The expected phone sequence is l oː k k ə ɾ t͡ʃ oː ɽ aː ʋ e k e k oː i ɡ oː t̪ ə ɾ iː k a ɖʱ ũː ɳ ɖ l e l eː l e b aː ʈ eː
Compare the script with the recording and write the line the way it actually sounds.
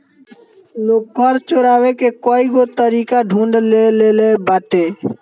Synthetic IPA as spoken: l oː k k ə ɾ t͡ʃ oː ɾ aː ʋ e k e k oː i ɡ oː t̪ ə ɾ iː k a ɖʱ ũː ɳ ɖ l e l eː l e b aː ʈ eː